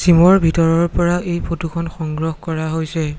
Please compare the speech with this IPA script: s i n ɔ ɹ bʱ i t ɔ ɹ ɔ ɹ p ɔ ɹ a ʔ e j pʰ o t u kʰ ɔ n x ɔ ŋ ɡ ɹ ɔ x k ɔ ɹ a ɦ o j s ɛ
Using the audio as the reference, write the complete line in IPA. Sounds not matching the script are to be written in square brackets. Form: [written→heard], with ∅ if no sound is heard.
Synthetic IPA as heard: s i [n→m] ɔ ɹ bʱ i t ɔ ɹ ɔ ɹ p ɔ ɹ a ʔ e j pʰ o t u kʰ ɔ n x ɔ ŋ ɡ ɹ ɔ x k ɔ ɹ a ɦ o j s ɛ